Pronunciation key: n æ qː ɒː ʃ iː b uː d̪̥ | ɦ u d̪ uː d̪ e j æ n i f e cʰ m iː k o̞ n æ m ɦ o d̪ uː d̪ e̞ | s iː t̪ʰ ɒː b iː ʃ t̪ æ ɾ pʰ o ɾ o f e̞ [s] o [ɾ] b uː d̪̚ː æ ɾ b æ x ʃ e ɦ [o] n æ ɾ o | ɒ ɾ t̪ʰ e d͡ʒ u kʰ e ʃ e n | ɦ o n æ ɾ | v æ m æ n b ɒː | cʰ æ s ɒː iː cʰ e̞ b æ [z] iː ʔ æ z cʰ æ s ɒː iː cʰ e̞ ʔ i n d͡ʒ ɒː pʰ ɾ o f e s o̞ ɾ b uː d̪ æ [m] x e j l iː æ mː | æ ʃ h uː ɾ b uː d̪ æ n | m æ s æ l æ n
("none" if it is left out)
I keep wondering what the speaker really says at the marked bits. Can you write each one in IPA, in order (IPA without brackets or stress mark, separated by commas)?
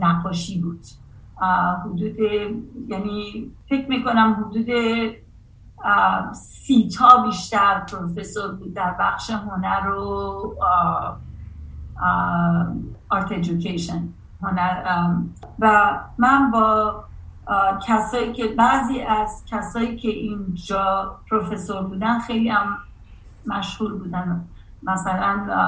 s, ɾ, o, z, n